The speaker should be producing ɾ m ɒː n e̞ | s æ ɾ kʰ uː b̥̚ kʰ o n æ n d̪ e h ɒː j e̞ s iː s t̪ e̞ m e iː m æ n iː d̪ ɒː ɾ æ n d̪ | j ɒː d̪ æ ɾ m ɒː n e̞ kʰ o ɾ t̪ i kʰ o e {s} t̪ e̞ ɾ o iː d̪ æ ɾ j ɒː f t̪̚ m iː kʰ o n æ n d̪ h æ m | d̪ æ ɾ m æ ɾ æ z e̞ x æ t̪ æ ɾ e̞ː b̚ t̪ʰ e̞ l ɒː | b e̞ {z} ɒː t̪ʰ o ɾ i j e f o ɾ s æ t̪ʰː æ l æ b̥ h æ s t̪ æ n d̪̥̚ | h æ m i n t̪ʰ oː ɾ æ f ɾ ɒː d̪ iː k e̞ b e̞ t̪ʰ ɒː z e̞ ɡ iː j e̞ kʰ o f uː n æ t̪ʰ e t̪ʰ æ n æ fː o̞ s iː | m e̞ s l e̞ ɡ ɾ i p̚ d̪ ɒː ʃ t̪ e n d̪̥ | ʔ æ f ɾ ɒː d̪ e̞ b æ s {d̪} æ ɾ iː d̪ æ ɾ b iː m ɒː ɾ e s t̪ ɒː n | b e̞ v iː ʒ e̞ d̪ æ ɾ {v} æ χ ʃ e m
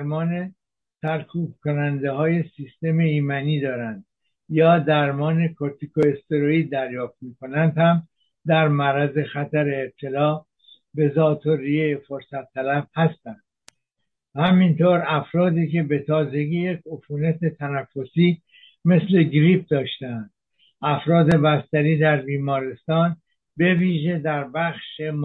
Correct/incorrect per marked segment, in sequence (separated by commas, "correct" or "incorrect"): correct, correct, incorrect, incorrect